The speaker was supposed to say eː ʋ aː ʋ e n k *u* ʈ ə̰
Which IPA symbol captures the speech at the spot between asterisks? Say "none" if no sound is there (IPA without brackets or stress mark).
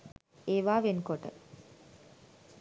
o